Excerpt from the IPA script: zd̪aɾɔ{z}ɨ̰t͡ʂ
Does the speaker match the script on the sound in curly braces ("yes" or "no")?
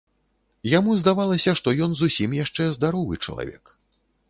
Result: no